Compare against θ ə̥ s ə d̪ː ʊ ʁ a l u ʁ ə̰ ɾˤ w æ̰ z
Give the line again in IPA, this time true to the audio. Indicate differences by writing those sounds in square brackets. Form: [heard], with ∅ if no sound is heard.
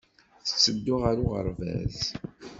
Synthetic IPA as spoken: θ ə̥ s ə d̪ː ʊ ʁ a [ɾ] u ʁ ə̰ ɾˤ [v] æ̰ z